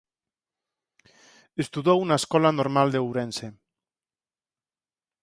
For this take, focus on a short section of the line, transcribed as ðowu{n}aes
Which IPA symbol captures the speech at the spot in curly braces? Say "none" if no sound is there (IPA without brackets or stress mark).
n